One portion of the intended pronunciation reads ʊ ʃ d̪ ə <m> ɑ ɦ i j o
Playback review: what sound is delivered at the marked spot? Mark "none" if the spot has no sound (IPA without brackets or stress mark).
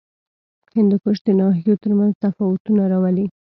n